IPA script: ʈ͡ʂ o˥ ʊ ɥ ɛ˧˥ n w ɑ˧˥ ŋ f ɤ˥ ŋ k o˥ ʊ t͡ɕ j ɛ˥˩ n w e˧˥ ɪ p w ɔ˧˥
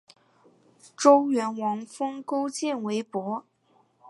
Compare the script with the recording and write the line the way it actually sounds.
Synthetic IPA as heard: ʈ͡ʂ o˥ ʊ ɥ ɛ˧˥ n w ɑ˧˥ ŋ f ɤ˥ ŋ k o˥ ʊ t͡ɕ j ɛ˥˩ n w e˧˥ ɪ p w ɔ˧˥

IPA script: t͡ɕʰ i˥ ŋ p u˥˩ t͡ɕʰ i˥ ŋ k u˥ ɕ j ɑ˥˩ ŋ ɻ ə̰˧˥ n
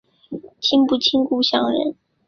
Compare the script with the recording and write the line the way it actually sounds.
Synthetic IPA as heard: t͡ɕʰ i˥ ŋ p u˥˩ t͡ɕʰ i˥ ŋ k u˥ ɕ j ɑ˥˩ ŋ ɻ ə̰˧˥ n

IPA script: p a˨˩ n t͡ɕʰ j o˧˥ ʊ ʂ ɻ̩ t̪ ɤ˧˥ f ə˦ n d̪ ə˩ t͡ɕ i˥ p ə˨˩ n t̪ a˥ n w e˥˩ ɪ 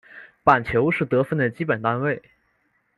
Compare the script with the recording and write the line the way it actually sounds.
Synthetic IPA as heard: p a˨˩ n t͡ɕʰ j o˧˥ ʊ ʂ ɻ̩ t̪ ɤ˧˥ f ə˥˩ n d̪ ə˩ t͡ɕ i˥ p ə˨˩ n t̪ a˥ n w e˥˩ ɪ

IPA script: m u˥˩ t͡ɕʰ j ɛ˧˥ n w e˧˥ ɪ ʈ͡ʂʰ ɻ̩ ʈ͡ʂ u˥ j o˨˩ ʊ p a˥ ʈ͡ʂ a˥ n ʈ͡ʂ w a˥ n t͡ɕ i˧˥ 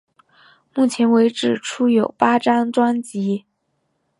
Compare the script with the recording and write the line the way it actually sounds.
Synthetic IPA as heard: m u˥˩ t͡ɕʰ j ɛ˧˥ n w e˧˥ ɪ ʈ͡ʂ ɻ̩ ʈ͡ʂʰ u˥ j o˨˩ ʊ p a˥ ʈ͡ʂ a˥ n ʈ͡ʂ w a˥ n t͡ɕ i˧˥

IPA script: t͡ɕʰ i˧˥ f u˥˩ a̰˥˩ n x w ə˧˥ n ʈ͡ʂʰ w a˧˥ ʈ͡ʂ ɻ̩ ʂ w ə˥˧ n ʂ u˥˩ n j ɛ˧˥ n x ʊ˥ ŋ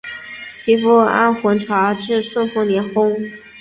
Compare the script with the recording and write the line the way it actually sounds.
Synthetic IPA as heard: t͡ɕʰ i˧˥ f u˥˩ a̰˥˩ n x w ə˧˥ n ʈ͡ʂʰ w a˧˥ ʈ͡ʂ ɻ̩ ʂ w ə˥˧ n f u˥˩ n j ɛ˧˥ n x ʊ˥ ŋ

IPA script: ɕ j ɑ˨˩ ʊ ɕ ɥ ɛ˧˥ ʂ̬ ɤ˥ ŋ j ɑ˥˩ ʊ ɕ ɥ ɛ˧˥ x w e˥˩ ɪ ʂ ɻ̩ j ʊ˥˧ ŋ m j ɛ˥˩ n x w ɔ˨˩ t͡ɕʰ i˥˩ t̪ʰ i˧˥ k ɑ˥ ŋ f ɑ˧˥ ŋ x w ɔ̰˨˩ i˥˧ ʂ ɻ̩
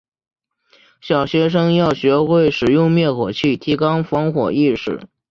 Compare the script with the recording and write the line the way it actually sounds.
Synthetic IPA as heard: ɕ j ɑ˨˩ ʊ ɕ ɥ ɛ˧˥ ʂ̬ ɤ˥ ŋ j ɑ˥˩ ʊ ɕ ɥ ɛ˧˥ x w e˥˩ ɪ ʂ ɻ̩ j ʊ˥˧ ŋ m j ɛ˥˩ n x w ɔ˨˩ t͡ɕʰ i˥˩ t̪ʰ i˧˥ k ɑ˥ ŋ f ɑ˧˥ ŋ x w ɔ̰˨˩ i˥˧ ʂ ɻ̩

